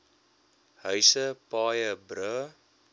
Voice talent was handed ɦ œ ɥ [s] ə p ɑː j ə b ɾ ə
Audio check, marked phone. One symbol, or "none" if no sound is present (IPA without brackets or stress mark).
s